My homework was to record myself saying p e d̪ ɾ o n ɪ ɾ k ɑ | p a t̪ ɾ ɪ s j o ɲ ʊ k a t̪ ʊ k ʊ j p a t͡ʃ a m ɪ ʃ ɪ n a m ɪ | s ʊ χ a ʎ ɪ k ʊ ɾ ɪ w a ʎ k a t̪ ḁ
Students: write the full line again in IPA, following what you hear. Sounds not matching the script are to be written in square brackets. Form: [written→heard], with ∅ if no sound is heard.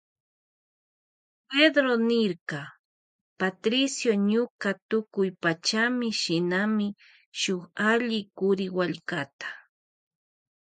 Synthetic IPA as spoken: p e d̪ ɾ o n ɪ ɾ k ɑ | p a t̪ ɾ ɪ s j o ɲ ʊ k a t̪ ʊ k ʊ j p a t͡ʃ a m ɪ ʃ ɪ n a m ɪ | [s→ʃ] ʊ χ a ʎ ɪ k ʊ ɾ ɪ w a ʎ k a t̪ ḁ